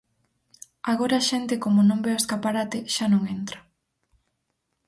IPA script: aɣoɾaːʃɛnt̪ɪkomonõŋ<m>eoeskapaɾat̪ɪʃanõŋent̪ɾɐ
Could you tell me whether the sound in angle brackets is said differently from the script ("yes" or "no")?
yes